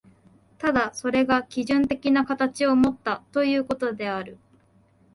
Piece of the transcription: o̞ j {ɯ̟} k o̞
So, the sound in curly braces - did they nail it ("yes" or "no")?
no